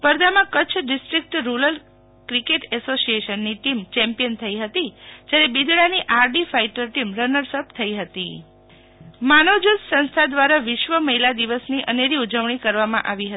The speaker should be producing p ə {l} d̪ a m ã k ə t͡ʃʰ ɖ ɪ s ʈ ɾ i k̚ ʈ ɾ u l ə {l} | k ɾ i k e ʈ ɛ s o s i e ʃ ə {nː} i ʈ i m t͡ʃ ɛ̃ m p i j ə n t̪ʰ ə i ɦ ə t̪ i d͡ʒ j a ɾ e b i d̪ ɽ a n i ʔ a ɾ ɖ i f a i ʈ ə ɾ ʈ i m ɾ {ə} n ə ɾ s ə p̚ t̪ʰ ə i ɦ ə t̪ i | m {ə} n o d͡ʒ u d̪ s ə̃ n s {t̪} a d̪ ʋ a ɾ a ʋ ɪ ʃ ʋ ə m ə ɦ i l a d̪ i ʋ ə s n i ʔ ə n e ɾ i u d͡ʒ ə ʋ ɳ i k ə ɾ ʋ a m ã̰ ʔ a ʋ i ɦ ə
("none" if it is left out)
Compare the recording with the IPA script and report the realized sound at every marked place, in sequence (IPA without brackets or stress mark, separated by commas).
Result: ɾ, l, nː, ə, a, t̪ʰ